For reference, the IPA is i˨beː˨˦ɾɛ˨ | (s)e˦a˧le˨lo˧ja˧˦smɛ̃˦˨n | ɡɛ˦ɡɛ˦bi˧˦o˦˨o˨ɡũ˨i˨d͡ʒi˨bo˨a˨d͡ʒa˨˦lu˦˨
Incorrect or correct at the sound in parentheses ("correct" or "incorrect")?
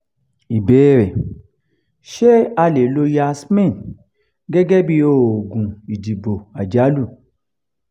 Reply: incorrect